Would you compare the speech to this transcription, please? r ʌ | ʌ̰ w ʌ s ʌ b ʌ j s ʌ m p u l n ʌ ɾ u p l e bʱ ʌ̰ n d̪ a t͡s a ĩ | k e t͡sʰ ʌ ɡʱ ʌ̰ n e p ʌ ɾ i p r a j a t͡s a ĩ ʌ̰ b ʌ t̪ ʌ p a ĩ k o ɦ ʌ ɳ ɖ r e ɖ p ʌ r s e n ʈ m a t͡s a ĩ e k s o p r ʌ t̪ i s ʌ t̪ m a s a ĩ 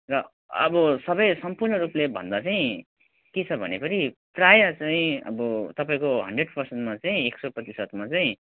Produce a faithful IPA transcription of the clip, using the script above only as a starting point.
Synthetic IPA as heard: r ʌ | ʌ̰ b ʌ s ʌ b ʌ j s ʌ m p u r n ʌ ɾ u p l e bʱ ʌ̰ n d̪ a t͡s a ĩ | k e t͡sʰ ʌ bʱ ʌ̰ n e p ʌ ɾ i p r a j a t͡s a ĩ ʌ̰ b ʌ t̪ ʌ p a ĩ k o ɦ ʌ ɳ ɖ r e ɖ p ʌ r s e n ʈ m a t͡s a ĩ e k s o p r ʌ t̪ i s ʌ t̪ m a t͡s a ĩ

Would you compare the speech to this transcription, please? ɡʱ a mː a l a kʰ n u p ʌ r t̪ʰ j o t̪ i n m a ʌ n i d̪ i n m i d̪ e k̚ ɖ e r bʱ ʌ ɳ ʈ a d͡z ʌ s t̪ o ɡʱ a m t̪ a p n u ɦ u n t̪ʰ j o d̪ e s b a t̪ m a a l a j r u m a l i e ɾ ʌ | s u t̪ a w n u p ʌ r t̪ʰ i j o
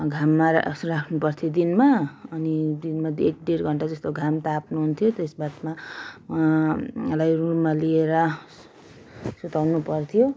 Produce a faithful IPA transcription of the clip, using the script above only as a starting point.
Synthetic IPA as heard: ɡʱ a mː a r a kʰ n u p ʌ r t̪ʰ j o d̪ i n m a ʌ n i d̪ i n m a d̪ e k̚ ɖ e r ɡʱ ʌ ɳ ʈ a d͡z ʌ s t̪ o ɡʱ a m t̪ a p n u ɦ u n t̪ʰ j o t̪ e s b a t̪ m a a l a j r u m a l i e ɾ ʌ | s u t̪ a w n u p ʌ r t̪ʰ i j o

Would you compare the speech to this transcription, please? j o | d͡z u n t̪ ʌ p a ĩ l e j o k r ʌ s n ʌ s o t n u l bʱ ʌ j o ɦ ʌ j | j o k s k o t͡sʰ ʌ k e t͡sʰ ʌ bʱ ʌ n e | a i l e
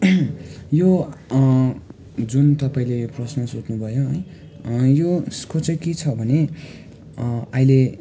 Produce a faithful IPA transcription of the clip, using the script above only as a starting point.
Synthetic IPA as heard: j o | d͡z u n t̪ ʌ p a ĩ l e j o p r ʌ s n ʌ s o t n u bʱ ʌ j o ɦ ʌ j | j o s k o t͡s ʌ k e t͡sʰ ʌ bʱ ʌ n e | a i l e

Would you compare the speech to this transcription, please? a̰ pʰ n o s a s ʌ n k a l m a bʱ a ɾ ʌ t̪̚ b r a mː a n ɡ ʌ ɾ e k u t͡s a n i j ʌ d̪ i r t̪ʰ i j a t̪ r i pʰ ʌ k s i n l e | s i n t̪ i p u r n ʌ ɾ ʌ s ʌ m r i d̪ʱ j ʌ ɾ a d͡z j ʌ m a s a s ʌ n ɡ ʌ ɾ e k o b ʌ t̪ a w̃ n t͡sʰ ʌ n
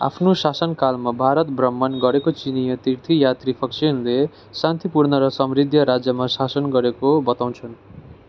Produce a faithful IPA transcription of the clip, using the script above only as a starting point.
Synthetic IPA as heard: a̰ pʰ n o s a s ʌ n k a l m a bʱ a ɾ ʌ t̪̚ b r ʌ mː ʌ n ɡ ʌ ɾ e k o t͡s i n i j ʌ t̪ i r t̪ʰ i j a t̪ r i pʰ ʌ k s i n l e | s a n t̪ i p u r n ʌ ɾ ʌ s ʌ m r i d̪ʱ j ʌ ɾ a d͡z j ʌ m a s a s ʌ n ɡ ʌ ɾ e k o b ʌ t̪ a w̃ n t͡sʰ ʌ n

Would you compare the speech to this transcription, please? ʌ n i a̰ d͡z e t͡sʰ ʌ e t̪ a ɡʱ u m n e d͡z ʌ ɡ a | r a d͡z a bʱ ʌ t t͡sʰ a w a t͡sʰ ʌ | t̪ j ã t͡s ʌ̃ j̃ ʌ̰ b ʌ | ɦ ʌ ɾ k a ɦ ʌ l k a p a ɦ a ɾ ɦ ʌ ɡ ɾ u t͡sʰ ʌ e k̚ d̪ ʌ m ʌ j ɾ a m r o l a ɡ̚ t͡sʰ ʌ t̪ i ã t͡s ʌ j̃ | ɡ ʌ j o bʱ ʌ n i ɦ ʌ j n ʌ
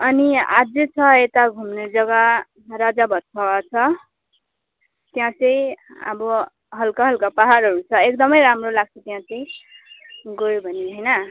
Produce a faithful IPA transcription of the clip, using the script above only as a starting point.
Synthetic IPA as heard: ʌ n i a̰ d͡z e t͡sʰ ʌ e t̪ a ɡʱ u m n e d͡z ʌ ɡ a | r a d͡z a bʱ ʌ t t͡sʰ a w a t͡sʰ ʌ | t̪ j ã t͡s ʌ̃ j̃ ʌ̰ b ʌ | ɦ ʌ l k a ɦ ʌ l k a p a ɦ a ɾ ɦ ʌ ɾ u t͡sʰ ʌ e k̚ d̪ ʌ m ʌ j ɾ a m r o l a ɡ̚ t͡sʰ ʌ t̪ j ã t͡s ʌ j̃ | ɡ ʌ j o bʱ ʌ n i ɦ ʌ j n ʌ

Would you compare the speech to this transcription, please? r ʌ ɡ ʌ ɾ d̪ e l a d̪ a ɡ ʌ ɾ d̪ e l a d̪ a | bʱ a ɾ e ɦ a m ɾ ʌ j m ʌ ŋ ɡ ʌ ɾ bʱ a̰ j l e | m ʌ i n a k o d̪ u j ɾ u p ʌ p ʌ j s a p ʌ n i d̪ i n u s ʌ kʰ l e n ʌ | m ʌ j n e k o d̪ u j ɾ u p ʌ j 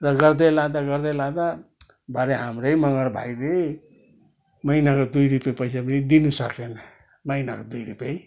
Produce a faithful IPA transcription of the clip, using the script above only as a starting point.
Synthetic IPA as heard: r ʌ ɡ ʌ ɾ d̪ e l a d̪ a ɡ ʌ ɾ d̪ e l a d̪ a | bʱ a ɾ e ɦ a m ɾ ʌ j m ʌ ŋ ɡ ʌ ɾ bʱ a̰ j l e | m ʌ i n a k o d̪ u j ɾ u p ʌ p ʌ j s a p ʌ n i d̪ i n u s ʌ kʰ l e n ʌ | m ʌ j n a k o d̪ u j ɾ u p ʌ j

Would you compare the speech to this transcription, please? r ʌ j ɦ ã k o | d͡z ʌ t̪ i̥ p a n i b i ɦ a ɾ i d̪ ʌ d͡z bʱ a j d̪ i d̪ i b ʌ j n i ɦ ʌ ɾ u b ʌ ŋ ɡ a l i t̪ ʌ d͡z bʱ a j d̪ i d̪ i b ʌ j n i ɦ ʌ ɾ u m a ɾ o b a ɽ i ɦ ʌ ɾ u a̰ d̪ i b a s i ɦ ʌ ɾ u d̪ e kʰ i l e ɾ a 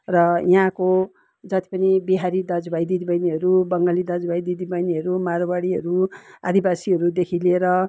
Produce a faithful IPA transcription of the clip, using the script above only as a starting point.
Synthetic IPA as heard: r ʌ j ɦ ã k o | d͡z ʌ t̪ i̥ p ʌ n i b i ɦ a ɾ i d̪ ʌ d͡z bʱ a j d̪ i d̪ i b ʌ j n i ɦ ʌ ɾ u b ʌ ŋ ɡ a l i d̪ ʌ d͡z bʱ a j d̪ i d̪ i b ʌ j n i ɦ ʌ ɾ u m a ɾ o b a ɽ i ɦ ʌ ɾ u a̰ d̪ i b a s i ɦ ʌ ɾ u d̪ e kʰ i l e ɾ ʌ

